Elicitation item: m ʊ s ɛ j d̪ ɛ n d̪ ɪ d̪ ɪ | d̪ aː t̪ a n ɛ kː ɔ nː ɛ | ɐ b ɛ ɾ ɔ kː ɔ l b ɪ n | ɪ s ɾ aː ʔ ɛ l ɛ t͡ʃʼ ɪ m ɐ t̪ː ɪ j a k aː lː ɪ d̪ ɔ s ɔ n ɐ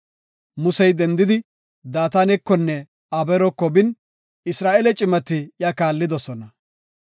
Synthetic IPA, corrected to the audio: m ʊ s ɛ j d̪ ɛ n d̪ ɪ d̪ ɪ | d̪ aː t̪ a n ɛ kː ɔ nː ɛ | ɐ b ɛ ɾ ɔ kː ɔ b ɪ n | ɪ s ɾ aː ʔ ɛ l ɛ t͡ʃʼ ɪ m ɐ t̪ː ɪ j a k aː lː ɪ d̪ ɔ s ɔ n ɐ